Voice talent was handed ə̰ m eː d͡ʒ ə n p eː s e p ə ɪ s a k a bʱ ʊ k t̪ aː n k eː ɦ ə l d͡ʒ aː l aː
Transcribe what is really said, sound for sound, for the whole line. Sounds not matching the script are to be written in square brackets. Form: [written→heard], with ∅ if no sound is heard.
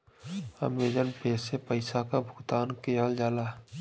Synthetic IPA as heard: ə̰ m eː d͡ʒ ə n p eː s e p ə ɪ s a k a bʱ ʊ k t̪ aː n k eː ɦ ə l d͡ʒ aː l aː